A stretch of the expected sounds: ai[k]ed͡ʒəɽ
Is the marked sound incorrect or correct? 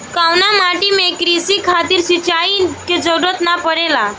correct